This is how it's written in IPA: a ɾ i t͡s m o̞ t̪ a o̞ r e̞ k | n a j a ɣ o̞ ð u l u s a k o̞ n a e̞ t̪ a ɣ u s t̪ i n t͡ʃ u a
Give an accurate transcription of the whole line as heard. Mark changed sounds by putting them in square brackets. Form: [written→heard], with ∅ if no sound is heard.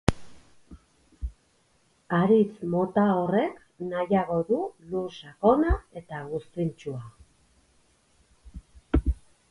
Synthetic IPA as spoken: a ɾ i t͡s m o̞ t̪ a o̞ r e̞ k | n a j a ɣ o̞ ð u l u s a k o̞ n a e̞ t̪ a ɣ u s t̪ i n t͡ʃ u a